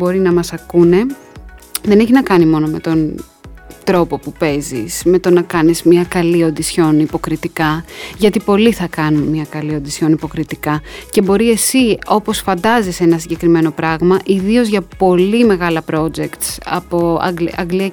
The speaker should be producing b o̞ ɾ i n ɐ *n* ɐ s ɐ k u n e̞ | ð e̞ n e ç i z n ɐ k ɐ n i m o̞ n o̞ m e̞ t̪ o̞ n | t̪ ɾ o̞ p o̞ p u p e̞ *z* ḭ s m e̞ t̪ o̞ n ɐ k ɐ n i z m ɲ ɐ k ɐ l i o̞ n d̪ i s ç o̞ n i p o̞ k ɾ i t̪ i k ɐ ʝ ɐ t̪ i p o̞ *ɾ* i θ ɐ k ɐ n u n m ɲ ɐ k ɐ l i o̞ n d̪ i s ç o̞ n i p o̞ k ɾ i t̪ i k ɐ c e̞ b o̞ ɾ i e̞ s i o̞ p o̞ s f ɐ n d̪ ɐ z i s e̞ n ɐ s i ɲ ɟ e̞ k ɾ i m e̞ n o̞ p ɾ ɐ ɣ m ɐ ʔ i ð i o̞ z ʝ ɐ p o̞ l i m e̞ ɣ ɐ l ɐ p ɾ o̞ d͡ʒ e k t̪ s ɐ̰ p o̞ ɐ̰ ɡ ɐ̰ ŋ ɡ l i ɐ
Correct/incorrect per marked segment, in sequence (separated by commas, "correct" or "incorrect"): incorrect, correct, incorrect